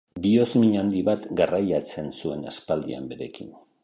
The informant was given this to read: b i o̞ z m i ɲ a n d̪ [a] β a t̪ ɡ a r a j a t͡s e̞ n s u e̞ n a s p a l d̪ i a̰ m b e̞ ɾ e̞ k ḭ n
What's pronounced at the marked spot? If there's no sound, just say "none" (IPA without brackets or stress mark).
i